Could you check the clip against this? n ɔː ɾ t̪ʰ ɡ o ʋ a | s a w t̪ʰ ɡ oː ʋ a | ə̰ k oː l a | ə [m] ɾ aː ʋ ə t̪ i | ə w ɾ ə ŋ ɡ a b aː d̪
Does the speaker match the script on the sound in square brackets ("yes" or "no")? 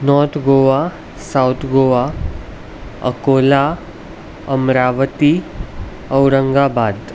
yes